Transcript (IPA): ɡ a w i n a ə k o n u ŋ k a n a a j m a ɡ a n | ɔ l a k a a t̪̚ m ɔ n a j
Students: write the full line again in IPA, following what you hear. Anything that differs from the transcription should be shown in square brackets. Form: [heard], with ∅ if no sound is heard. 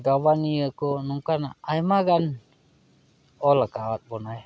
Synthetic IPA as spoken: ɡ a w [a] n [i] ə k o n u ŋ k a n a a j m a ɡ a n | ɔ l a k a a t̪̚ [b] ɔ n a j